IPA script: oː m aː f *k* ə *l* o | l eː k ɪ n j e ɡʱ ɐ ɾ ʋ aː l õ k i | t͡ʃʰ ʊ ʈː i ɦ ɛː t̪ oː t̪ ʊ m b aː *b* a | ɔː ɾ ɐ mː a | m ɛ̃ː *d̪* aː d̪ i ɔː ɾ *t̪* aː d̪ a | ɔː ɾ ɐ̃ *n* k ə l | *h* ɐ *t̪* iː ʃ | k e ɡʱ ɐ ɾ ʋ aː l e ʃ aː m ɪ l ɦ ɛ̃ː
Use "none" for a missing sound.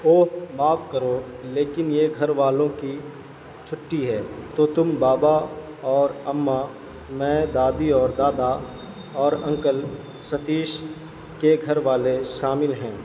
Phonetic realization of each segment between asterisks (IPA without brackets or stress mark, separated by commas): k, ɾ, b, d̪, d̪, ŋ, s, t̪